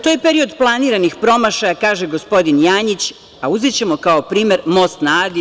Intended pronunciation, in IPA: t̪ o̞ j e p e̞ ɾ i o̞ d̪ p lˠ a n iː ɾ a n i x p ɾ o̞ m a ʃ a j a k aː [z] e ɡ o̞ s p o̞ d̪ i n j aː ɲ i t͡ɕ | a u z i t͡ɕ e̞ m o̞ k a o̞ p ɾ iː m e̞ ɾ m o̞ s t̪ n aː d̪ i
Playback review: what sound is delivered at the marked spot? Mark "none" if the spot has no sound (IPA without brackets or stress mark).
ʒ